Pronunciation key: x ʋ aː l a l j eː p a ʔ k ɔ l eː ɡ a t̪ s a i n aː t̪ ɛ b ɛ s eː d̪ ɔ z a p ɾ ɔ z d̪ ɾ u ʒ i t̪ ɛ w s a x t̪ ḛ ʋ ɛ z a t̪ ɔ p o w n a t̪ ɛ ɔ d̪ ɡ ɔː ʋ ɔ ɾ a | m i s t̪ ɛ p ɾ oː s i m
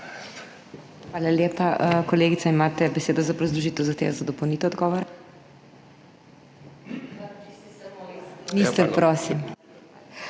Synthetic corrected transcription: x ʋ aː l a l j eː p a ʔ k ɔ l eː ɡ i t̪ s a i m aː t̪ ɛ b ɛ s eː d̪ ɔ z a p ɾ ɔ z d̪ ɾ u ʒ i t̪ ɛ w z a x t̪ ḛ ʋ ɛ z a d̪ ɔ p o w n i t̪ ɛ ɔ d̪ ɡ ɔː ʋ ɔ ɾ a | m i s t̪ ɛ p ɾ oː s i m

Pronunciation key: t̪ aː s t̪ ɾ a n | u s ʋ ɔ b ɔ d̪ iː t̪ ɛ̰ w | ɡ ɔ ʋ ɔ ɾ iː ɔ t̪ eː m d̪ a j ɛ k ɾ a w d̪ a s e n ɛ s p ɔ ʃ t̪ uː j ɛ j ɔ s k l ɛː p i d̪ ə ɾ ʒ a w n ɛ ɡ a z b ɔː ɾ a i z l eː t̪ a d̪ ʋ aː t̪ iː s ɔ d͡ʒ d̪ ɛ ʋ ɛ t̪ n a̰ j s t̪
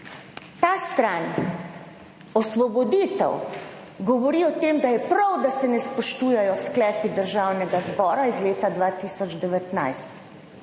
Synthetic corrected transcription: t̪ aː s t̪ ɾ a n | ɔ s ʋ ɔ b ɔ d̪ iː t̪ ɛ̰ w | ɡ ɔ ʋ ɔ ɾ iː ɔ t̪ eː m d̪ a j ɛ p ɾ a w d̪ a s ɛ n ɛ s p ɔ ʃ t̪ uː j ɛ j ɔ s k l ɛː p i d̪ ə ɾ ʒ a w n ɛ ɡ a z b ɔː ɾ a i z l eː t̪ a d̪ ʋ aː t̪ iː s ɔ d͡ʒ d̪ ɛ ʋ ɛ t̪ n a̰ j s t̪

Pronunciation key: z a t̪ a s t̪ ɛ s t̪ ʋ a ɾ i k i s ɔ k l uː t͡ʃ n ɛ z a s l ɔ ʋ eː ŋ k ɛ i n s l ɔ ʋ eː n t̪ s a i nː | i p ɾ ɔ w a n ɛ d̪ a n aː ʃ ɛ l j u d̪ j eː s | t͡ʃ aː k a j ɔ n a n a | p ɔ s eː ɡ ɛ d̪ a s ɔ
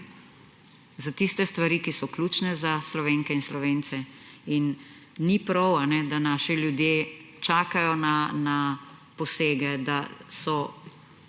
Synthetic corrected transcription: z a t̪ i s t̪ ɛ s t̪ ʋ a ɾ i k i s ɔ k l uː t͡ʃ n ɛ z a s l ɔ ʋ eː ŋ k ɛ i n s l ɔ ʋ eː n t̪ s ɛ i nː | i p ɾ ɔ w a n ɛ d̪ a n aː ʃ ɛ l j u d̪ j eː | t͡ʃ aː k a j ɔ n a n a | p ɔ s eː ɡ ɛ d̪ a s ɔ

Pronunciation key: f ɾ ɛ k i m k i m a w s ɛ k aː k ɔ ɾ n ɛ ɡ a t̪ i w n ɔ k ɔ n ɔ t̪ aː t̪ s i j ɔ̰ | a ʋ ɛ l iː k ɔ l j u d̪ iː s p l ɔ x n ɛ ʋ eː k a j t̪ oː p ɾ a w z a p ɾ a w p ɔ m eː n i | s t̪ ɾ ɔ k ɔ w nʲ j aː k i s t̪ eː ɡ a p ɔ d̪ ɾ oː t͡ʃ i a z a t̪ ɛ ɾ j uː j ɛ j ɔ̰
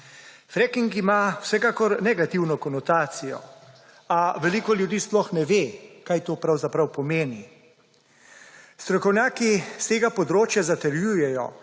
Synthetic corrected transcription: f ɾ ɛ k i ŋ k i m a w s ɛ k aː k ɔ ɾ n ɛ ɡ a t̪ i w n ɔ k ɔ n ɔ t̪ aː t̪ s i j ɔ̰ | a ʋ ɛ l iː k ɔ l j u d̪ iː s p l ɔ x n ɛ ʋ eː k a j t̪ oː p ɾ a w z a p ɾ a w p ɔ m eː n i | s t̪ ɾ ɔ k ɔ w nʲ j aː k i s t̪ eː ɡ a p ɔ d̪ ɾ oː t͡ʃ j a z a t̪ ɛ ɾ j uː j ɛ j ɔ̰

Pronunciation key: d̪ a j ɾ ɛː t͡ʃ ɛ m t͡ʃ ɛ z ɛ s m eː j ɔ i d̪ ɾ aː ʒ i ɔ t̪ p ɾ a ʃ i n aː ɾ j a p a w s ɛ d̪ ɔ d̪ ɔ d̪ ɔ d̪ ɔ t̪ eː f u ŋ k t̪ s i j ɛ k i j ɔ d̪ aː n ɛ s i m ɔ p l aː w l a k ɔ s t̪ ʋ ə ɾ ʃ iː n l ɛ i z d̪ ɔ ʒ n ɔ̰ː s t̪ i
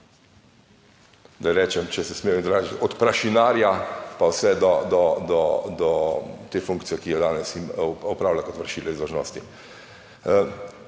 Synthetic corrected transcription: d̪ a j ɾ ɛː t͡ʃ ɛ m t͡ʃ ɛ s ɛ s m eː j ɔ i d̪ ɾ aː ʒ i ɔ t̪ p ɾ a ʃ i n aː ɾ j a p a w s ɛ d̪ ɔ d̪ ɔ d̪ ɔ d̪ ɔ t̪ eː f u ŋ k t̪ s i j ɛ k i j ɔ d̪ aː n ɛ s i m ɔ p ɾ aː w l a k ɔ t̪ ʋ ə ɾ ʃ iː l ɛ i z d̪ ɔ ʒ n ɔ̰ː s t̪ i

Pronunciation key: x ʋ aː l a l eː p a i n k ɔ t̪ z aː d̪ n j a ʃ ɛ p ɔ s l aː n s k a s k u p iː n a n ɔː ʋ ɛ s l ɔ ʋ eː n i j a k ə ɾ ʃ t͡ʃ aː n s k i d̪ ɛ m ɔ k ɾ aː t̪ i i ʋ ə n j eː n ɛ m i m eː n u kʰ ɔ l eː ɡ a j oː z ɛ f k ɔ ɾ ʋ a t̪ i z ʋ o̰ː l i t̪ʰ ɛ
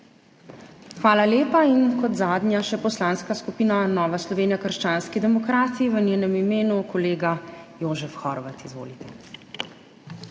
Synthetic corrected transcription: x ʋ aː l a l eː p a i n k ɔ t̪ z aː d̪ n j a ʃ ɛ p ɔ s l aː n s k a s k u p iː n a n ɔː ʋ a s l ɔ ʋ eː n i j a k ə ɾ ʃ t͡ʃ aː n s k i d̪ ɛ m ɔ k ɾ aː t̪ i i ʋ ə n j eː n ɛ m i m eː n u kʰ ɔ l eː ɡ a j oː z ɛ f x ɔ ɾ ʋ a t̪ i z ʋ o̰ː l i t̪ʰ ɛ

